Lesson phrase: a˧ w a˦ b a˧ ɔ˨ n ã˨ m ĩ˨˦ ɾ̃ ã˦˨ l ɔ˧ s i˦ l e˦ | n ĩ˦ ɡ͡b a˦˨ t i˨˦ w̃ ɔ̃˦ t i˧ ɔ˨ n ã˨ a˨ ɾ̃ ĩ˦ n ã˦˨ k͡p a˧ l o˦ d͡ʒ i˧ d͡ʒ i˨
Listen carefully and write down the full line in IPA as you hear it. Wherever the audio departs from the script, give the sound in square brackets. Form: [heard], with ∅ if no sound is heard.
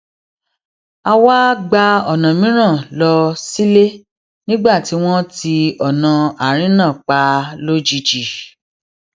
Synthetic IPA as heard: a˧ w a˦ [ɡ͡b] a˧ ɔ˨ n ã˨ m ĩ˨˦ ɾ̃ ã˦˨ l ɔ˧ s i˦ l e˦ | n ĩ˦ ɡ͡b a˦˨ t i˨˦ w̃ ɔ̃˦ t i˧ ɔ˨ n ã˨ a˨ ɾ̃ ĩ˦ n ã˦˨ k͡p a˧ l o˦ d͡ʒ i˧ d͡ʒ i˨